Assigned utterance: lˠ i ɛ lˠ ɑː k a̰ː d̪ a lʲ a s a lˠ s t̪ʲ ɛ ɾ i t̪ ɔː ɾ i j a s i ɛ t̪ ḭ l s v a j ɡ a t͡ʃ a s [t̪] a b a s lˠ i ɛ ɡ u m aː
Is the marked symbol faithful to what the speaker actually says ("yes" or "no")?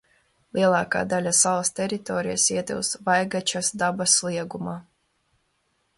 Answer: no